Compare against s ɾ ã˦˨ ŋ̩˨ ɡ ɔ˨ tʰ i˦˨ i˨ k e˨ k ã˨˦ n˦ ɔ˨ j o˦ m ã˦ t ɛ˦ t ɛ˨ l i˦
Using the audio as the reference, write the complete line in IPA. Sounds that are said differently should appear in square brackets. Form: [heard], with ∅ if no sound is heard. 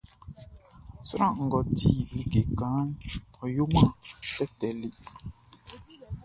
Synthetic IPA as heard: s ɾ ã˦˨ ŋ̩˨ ɡ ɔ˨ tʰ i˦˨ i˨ [ɡ] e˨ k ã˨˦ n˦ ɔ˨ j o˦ m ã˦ t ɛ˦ t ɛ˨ l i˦